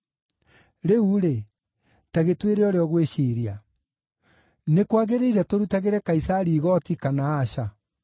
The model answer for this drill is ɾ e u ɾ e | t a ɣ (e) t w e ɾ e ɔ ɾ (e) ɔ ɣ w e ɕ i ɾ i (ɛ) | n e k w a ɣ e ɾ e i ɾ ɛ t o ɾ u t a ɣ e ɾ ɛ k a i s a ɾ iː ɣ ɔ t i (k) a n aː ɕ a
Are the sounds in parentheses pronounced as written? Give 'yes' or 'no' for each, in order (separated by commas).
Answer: yes, yes, no, yes